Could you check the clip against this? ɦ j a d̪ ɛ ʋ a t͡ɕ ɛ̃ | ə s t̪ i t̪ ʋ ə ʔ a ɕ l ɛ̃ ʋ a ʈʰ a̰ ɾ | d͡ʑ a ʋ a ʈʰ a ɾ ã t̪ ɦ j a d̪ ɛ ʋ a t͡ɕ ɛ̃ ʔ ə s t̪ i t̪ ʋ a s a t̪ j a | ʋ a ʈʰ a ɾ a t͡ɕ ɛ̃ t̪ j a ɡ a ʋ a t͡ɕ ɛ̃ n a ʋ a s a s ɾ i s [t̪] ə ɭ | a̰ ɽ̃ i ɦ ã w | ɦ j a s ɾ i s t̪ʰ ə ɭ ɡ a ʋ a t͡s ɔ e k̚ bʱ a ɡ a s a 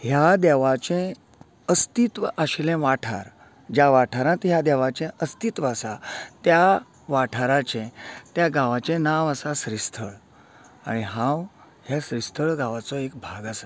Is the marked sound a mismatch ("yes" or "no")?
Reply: yes